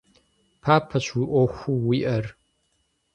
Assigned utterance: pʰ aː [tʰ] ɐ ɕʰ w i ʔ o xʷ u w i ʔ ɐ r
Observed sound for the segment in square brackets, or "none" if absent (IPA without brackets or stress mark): pʰ